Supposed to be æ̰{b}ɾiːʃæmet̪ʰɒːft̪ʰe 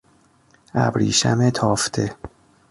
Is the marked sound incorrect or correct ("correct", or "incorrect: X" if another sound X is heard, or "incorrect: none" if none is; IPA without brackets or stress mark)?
correct